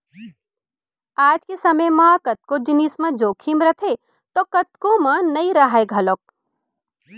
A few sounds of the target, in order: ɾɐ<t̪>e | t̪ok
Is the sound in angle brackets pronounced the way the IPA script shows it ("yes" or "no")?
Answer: no